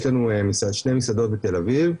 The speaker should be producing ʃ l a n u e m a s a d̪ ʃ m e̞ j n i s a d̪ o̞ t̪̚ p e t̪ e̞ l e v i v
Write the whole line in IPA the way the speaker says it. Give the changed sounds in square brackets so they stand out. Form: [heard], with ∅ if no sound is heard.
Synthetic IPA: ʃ l a n u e m [i] s a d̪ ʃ [n] e̞ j [m] i s a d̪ o̞ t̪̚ [b] e t̪ e̞ l [a] v i v

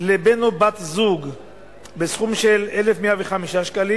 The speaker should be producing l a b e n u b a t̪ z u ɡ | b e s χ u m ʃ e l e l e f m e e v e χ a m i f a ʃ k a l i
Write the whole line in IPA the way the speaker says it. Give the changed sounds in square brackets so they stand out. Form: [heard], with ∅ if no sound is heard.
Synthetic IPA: l [e] b e n [o] b a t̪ z u ɡ | b e s χ u m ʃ e l e l e f m e [a] v e χ a m i [ʃ] a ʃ k a l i

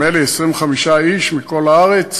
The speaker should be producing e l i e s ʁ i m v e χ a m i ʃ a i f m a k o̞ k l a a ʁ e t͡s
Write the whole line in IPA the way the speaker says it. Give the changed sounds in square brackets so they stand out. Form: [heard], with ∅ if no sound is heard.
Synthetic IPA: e l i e s ʁ i m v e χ a m i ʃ a i [ʃ] m [i] k o̞ [∅] l a a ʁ e t͡s

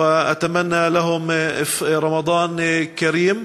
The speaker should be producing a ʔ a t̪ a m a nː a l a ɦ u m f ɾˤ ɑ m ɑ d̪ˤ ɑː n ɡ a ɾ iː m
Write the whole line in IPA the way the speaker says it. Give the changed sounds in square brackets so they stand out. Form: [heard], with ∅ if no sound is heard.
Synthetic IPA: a ʔ a t̪ a m a nː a l a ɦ [ʊ] m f ɾˤ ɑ m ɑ d̪ˤ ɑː n [k] a ɾ iː m

